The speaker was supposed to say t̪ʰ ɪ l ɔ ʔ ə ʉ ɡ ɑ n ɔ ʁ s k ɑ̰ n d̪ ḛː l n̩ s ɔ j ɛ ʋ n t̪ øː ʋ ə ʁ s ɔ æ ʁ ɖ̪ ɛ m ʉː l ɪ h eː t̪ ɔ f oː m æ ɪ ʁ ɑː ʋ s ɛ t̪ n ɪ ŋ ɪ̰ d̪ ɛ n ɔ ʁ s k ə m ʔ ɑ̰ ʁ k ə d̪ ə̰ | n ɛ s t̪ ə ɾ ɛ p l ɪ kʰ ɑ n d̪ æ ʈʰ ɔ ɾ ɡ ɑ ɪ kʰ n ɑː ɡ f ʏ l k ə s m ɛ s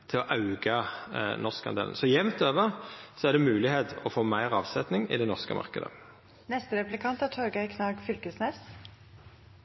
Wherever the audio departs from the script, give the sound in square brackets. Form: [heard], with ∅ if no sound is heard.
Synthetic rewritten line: t̪ʰ ɪ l ɔ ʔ [ɑ] ʉ ɡ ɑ n ɔ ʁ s k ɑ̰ n d̪ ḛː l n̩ s ɔ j ɛ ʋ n t̪ øː ʋ ə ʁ s ɔ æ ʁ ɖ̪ ɛ m ʉː l ɪ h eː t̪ ɔ f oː m æ ɪ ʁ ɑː ʋ s ɛ t̪ n ɪ ŋ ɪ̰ d̪ ɛ n ɔ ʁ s k ə m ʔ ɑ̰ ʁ k ə d̪ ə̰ | n ɛ s t̪ ə ɾ ɛ p l ɪ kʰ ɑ n [t̪] æ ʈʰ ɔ ɾ ɡ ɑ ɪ kʰ n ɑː ɡ f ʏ l k ə s [n] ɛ s